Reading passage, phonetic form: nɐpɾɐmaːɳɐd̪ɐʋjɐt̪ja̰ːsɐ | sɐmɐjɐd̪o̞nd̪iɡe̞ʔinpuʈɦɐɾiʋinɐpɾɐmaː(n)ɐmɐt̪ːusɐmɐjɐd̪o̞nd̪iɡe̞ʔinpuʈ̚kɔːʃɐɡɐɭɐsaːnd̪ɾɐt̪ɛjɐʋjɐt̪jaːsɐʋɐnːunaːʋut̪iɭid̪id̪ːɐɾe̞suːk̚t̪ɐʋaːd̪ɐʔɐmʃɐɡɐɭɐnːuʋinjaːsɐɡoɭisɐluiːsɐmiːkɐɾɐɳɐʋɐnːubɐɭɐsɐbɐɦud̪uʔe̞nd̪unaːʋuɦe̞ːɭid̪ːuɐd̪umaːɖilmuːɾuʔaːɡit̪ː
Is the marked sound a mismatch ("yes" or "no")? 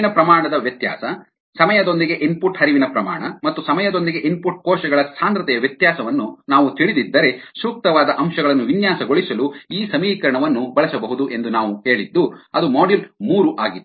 yes